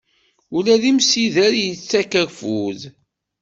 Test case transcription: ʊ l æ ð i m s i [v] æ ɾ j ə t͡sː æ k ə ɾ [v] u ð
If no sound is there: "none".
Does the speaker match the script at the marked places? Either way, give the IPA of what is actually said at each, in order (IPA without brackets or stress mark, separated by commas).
ð, f